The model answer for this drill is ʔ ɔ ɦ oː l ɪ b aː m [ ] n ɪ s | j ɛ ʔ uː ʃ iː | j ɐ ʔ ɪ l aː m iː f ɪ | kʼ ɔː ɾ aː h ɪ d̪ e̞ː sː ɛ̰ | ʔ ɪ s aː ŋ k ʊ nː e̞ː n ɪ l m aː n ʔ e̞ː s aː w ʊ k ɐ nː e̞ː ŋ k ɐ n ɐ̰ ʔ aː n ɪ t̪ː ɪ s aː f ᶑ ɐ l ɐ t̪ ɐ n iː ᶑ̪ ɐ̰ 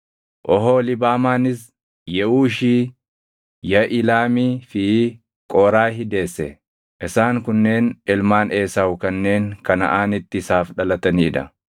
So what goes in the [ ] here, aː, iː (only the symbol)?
aː